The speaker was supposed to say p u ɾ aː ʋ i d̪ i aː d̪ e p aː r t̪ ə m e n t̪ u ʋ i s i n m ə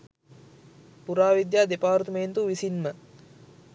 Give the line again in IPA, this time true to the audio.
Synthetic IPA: p u ɾ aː ʋ i d̪ j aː d̪ e p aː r t̪ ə m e n t̪ u ʋ i s i n m ə